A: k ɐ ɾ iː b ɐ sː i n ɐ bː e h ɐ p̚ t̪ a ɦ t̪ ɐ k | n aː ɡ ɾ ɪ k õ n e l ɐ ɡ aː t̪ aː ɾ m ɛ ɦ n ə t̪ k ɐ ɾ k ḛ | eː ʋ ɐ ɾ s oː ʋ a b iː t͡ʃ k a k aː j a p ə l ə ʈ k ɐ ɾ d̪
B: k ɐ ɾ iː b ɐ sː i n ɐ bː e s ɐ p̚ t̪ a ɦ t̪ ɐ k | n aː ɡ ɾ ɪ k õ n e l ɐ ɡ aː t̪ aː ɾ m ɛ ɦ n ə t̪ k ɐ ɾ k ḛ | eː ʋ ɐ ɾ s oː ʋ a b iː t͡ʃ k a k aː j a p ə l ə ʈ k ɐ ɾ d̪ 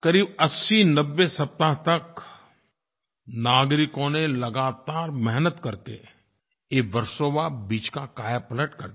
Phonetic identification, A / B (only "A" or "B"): B